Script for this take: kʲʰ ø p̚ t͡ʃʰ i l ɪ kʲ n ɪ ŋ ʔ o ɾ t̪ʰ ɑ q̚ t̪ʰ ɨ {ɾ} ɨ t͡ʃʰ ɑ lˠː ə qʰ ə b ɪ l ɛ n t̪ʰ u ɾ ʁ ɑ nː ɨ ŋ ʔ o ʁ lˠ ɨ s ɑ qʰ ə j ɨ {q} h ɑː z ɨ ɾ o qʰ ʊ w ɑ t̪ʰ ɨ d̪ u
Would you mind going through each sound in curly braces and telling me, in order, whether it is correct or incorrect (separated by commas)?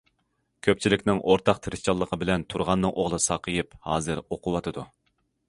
correct, incorrect